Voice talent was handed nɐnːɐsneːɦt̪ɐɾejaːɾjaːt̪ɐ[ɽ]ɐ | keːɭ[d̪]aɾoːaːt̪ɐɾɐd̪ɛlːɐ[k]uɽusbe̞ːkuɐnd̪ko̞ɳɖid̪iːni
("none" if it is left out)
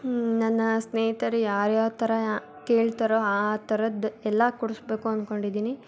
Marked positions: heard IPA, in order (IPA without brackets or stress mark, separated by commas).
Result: ɾ, t̪, k